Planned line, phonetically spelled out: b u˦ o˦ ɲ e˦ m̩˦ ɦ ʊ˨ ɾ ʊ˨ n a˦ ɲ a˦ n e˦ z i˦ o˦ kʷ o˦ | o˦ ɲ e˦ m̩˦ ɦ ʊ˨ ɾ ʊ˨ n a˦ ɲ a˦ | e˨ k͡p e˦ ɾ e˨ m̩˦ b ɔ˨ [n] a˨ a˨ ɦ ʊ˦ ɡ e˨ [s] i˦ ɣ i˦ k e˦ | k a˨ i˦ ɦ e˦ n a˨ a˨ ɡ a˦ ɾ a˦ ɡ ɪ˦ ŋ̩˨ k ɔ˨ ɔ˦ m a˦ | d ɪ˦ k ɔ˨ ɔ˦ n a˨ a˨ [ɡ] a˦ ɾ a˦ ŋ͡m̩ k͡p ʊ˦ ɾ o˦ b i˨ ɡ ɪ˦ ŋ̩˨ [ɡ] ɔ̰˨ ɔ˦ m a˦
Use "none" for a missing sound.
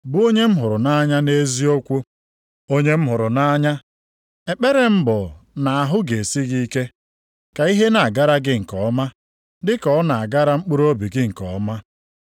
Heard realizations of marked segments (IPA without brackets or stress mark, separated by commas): n, s, ɡ, k